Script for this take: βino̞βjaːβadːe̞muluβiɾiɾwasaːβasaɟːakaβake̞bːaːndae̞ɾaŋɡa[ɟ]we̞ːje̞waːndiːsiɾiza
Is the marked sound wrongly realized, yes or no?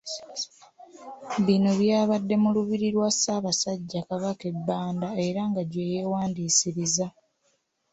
no